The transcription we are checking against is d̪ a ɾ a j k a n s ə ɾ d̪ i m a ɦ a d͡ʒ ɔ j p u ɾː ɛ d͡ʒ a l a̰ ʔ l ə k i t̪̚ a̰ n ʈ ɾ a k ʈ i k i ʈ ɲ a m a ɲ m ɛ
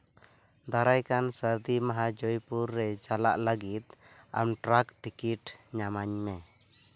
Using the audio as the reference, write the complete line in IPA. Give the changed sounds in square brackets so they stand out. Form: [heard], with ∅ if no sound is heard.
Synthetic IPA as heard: d̪ a ɾ a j k a n s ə ɾ d̪ i m a ɦ a d͡ʒ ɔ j p u ɾː ɛ d͡ʒ a l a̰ ʔ l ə [ɡ] i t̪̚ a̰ [m] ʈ ɾ a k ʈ i k i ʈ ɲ a m a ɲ m ɛ